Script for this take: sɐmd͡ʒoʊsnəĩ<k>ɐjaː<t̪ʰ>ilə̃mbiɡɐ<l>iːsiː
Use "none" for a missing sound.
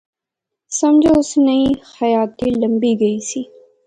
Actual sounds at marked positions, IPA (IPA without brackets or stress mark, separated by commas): x, t̪, none